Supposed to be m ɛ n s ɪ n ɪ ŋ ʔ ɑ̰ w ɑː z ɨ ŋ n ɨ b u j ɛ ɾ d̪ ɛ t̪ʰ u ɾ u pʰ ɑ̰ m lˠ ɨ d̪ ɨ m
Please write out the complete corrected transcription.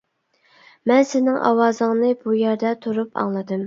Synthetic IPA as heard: m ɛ n s ɪ n ɪ ŋ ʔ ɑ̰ w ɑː z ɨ ŋ n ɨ b u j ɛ ɾ d̪ ɛ t̪ʰ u ɾ u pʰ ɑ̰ ŋ lˠ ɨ d̪ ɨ m